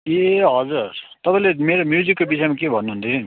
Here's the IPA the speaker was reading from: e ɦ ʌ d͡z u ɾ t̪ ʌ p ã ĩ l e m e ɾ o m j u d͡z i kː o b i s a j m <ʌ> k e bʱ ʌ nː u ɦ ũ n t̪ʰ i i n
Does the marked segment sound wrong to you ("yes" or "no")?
yes